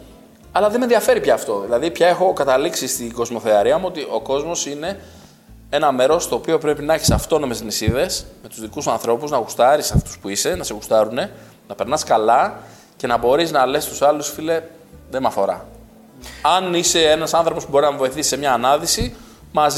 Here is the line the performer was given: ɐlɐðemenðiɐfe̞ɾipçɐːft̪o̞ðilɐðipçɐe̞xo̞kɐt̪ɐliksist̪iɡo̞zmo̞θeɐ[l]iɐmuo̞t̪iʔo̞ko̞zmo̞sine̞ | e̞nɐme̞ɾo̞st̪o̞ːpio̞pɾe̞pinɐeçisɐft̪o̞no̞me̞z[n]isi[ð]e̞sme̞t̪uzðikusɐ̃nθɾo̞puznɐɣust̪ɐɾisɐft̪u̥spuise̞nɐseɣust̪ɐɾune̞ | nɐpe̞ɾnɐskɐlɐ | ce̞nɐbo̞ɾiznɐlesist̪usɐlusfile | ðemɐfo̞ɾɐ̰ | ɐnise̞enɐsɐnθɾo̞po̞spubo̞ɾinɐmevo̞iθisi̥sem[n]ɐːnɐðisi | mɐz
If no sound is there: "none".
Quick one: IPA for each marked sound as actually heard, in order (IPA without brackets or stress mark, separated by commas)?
ɾ, n, ð, ɲ